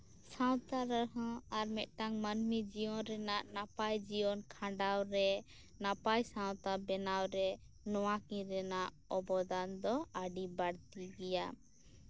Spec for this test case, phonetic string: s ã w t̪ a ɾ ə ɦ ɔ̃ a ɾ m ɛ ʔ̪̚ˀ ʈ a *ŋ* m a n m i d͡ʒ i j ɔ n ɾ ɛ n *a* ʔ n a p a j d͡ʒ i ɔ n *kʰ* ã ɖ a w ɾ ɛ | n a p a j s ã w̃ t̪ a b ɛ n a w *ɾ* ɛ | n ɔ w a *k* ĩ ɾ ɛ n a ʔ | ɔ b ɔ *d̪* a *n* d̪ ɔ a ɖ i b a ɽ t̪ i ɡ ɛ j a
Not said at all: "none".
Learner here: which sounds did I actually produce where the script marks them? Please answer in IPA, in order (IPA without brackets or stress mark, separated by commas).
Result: ŋ, a, kʰ, ɾ, k, d̪, n